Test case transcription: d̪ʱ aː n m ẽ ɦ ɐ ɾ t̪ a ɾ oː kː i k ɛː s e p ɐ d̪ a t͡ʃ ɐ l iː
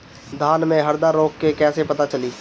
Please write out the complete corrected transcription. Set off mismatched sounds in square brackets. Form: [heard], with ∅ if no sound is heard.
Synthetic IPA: d̪ʱ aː n m ẽ ɦ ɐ ɾ [d̪] a ɾ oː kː [e] k ɛː s e p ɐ [t̪] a t͡ʃ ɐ l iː